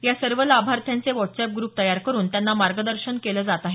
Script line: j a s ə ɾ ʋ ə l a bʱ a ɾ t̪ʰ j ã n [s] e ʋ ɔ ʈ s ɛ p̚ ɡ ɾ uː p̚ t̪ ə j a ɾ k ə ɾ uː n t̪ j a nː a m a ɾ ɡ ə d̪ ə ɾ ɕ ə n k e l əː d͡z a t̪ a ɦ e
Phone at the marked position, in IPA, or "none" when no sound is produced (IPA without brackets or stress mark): t͡s